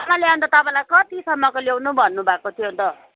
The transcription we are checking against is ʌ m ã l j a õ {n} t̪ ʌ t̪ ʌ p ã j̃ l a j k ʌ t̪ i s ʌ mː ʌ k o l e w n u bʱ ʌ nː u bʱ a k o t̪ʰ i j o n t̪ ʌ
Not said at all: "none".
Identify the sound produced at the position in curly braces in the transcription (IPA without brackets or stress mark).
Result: n